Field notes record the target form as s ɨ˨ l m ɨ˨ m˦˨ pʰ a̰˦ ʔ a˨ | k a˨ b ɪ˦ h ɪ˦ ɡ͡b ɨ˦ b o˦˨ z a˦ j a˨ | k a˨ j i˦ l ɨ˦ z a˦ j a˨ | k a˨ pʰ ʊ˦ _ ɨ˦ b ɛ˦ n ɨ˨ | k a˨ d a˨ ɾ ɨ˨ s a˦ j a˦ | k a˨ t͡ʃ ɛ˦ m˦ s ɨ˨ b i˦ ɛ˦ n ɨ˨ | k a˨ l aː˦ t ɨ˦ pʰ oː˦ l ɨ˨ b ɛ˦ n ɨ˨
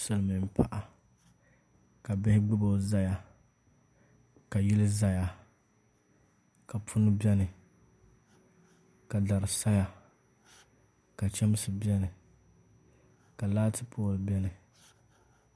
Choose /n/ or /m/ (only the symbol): n